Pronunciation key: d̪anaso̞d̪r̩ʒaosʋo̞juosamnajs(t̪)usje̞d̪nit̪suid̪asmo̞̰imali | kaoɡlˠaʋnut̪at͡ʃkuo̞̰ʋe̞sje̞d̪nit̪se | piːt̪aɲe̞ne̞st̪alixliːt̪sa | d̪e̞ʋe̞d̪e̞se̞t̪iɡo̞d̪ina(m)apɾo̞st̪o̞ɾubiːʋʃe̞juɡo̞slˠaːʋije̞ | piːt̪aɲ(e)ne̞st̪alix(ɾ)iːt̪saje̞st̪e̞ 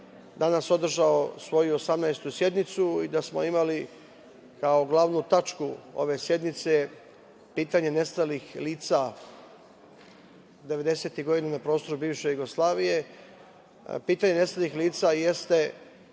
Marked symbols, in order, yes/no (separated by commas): yes, no, yes, no